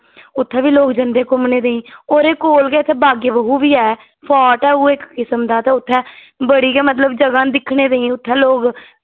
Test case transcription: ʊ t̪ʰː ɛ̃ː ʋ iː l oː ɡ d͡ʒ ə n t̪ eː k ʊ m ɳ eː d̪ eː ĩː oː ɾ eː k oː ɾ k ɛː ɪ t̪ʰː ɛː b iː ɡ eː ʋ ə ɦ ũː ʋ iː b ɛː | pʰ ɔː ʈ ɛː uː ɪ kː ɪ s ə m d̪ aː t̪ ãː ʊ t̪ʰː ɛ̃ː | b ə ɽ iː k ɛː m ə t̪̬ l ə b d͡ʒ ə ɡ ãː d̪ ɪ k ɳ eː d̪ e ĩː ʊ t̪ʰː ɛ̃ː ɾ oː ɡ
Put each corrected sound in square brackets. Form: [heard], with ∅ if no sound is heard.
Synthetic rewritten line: ʊ t̪ʰː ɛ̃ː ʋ iː l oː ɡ d͡ʒ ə n [d̪] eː k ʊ m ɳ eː d̪ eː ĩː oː ɾ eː k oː [l] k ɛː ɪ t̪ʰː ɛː b [aː] ɡ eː ʋ ə ɦ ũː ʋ iː [∅] ɛː | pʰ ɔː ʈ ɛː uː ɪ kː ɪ s ə m d̪ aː t̪ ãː ʊ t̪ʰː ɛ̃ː | b ə ɽ iː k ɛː m ə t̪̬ l ə b d͡ʒ ə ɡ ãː d̪ ɪ [kʰ] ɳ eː d̪ e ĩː ʊ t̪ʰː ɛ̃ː [l] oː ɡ